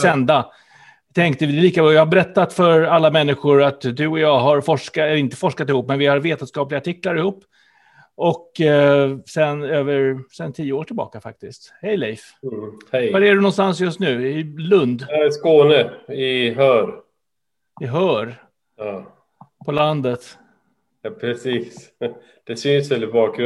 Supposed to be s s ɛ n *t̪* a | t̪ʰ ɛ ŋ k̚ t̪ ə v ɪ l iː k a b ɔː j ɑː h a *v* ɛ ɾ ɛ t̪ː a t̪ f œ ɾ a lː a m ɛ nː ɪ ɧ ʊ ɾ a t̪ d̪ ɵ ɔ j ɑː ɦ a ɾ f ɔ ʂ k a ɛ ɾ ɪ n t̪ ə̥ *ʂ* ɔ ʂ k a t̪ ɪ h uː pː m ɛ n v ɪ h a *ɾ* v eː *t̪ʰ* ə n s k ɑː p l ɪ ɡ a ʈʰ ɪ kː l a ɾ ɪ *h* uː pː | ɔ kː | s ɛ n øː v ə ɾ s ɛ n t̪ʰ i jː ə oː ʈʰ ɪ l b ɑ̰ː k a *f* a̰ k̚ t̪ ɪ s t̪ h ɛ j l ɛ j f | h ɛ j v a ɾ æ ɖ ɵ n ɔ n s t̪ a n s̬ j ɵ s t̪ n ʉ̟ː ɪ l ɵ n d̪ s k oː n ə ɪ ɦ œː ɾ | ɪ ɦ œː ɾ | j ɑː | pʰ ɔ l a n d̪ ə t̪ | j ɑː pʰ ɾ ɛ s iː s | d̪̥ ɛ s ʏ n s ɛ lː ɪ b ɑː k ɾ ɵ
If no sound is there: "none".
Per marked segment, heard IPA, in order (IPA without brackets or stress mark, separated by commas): d̪, b, f, ɾ, t̪, h, f